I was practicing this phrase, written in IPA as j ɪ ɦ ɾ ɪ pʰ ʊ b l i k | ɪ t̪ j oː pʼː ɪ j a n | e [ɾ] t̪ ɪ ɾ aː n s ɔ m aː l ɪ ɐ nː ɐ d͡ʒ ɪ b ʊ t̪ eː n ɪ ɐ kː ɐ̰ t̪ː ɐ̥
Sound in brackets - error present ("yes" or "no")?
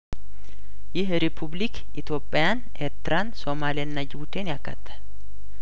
no